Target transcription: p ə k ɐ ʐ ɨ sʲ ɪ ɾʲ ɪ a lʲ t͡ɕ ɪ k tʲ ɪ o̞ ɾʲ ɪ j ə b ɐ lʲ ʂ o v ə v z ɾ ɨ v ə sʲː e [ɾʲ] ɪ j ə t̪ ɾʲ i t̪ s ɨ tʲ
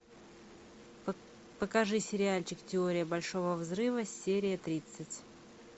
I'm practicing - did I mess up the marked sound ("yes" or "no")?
no